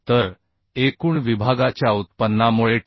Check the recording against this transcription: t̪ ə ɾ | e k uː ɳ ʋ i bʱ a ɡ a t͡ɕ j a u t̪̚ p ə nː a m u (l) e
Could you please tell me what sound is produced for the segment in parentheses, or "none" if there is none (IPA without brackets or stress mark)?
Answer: ɭ